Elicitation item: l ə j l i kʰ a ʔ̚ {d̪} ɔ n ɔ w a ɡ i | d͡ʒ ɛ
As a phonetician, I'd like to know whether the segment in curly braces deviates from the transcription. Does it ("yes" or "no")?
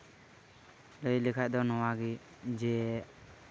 no